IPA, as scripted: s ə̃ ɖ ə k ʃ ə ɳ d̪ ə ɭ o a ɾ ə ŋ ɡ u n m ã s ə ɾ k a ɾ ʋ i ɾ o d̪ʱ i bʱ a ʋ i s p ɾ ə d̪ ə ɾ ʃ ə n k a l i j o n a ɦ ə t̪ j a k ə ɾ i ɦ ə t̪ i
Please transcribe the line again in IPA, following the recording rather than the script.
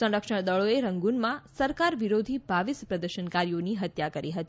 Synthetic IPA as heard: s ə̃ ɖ ə k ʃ ə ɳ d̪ ə ɭ o e ɾ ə ŋ ɡ u n m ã s ə ɾ k a ɾ ʋ i ɾ o d̪ʱ i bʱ a ʋ i s p ɾ ə d̪ ə ɾ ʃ ə n k a ɾ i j o n i ɦ ə t̪ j a k ə ɾ i ɦ ə t̪ i

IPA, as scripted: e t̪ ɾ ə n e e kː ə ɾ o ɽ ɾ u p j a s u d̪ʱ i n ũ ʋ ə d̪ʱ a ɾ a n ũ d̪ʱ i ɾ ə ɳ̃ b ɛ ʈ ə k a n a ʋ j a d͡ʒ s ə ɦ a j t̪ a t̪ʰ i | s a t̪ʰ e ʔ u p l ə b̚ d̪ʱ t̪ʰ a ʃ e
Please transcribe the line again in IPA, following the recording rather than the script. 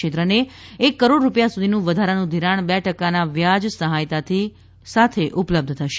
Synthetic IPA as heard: e t̪ ɾ ə n e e kː ə ɾ o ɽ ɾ u p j a s u d̪ʱ i n ũ ʋ ə d̪ʱ a ɾ a n ũ d̪ʱ i ɾ a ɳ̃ b ɛ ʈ ə k a n a ʋ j a d͡ʒ s ə ɦ a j t̪ a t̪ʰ i | s a t̪ʰ e ʔ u p l ə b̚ d̪ʱ t̪ʰ ə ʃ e

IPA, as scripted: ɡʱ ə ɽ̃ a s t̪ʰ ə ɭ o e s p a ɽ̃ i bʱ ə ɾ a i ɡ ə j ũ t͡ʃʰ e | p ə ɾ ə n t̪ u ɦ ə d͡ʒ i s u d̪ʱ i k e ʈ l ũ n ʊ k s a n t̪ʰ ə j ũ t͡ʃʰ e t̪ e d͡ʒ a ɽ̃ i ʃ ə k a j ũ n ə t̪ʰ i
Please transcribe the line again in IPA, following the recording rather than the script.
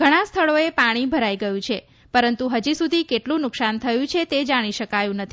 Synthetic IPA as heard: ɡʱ ə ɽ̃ a s t̪ʰ ə ɭ o e p a ɽ̃ i bʱ ə ɾ a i ɡ ə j ũ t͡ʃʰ e | p ə ɾ ə n t̪ u ɦ ə d͡ʒ i s u d̪ʱ i k e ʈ l ũ n ʊ k s a n t̪ʰ ə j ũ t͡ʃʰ e t̪ e d͡ʒ a ɽ̃ i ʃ ə k a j ũ n ə t̪ʰ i

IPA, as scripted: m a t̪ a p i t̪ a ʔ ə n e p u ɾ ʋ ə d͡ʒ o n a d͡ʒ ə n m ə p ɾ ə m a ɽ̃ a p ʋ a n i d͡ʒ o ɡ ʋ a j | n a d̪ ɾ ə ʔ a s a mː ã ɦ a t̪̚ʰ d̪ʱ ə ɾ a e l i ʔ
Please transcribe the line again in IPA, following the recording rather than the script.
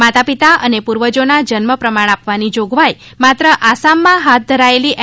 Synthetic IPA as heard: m a t̪ a p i t̪ a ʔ ə n e p u ɾ ʋ ə d͡ʒ o n a d͡ʒ ə n m ə p ɾ ə m a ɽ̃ a p ʋ a n i d͡ʒ o ɡ ʋ a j | m a t̪ ɾ ə ʔ a s a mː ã ɦ a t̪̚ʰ d̪ʱ ə ɾ a e l i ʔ

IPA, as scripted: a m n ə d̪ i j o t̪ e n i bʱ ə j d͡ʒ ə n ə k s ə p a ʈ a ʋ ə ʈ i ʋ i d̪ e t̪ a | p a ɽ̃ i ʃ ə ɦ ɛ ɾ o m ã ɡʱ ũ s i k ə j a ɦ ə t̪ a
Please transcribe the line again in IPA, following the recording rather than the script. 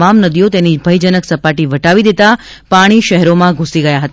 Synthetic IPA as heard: a m n ə d̪ i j o t̪ e n i bʱ ə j d͡ʒ ə n ə k s ə p a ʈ i ʋ ə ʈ a ʋ i d̪ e t̪ a | p a ɽ̃ i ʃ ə ɦ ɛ ɾ o m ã ɡʱ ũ s i ɡ ə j a ɦ ə t̪ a

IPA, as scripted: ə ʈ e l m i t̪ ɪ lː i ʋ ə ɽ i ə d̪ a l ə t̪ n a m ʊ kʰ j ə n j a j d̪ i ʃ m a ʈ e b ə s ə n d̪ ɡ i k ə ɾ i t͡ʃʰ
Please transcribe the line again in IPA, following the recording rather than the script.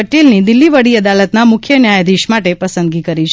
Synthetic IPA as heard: ə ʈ e l n i d̪ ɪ lː i ʋ ə ɽ i ə d̪ a l ə t̪ n a m ʊ kʰ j ə n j a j d̪ i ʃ m a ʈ e p ə s ə n d̪ ɡ i k ə ɾ i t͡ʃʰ

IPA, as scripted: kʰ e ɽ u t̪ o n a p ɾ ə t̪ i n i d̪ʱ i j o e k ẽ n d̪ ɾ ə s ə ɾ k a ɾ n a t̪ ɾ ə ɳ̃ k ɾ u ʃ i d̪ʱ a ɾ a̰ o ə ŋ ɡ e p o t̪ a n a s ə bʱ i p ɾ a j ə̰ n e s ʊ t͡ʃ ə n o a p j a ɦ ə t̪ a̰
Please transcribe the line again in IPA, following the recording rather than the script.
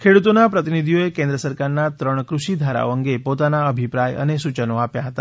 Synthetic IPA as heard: kʰ e ɽ u t̪ o n a p ɾ ə t̪ i n i d̪ʱ i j o e k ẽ n d̪ ɾ ə s ə ɾ k a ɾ n a t̪ ɾ ə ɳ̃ k ɾ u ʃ i d̪ʱ a ɾ a̰ o ə ŋ ɡ e p o t̪ a n a ə bʱ i p ɾ a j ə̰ n e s u t͡ʃ ə n o a p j a ɦ ə t̪ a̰

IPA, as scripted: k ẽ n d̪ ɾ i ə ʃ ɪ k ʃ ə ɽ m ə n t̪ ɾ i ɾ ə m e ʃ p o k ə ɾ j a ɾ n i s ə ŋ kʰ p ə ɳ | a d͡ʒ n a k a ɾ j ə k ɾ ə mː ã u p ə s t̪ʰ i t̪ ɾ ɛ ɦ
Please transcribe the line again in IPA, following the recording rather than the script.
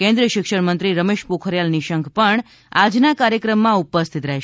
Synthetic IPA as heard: k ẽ n d̪ ɾ i ə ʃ ɪ k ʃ ə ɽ m ə n t̪ ɾ i ɾ ə m e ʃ p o kʰ ə ɾ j a l n i ʃ ə ŋ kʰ p ə ɳ | a d͡ʒ n a k a ɾ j ə k ɾ ə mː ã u p ə s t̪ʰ i t̪ ɾ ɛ ɦ

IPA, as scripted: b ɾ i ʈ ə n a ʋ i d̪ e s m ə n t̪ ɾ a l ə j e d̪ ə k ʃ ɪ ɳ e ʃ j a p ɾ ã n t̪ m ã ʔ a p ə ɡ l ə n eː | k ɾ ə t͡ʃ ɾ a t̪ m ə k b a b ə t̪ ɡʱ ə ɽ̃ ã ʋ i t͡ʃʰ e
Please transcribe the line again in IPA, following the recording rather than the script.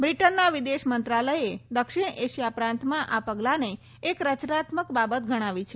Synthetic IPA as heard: b ɾ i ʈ ə nː a ʋ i d̪ e ʃ m ə n t̪ ɾ a l ə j e d̪ ə k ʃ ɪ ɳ e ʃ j a p ɾ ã n t̪ m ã ʔ a p ə ɡ l a n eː | k ɾ ə t͡ʃ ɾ a t̪ m ə k b a b ə t̪ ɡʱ ə ɽ̃ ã ʋ i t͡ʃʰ e

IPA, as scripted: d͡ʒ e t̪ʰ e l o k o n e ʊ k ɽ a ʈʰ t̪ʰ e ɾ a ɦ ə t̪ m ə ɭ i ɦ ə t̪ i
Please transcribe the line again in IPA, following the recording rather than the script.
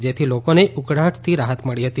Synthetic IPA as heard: d͡ʒ e t̪ʰ i l o k o n e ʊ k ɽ a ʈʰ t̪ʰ i ɾ a ɦ ə t̪ m ə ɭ i ɦ ə t̪ i

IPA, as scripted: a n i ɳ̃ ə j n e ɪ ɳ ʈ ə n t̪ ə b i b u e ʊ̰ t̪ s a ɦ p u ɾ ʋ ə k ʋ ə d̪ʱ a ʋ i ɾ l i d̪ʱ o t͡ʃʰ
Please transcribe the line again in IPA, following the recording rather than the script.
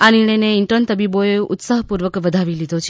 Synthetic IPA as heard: a n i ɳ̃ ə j n e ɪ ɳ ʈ ə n t̪ ə b i b o e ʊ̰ t̪ s a ɦ p u ɾ ʋ ə k ʋ ə d̪ʱ a ʋ i l i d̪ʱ o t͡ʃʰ

